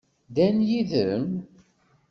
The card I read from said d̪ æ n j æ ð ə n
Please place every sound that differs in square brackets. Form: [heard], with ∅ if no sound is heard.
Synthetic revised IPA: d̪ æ n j [i] ð ə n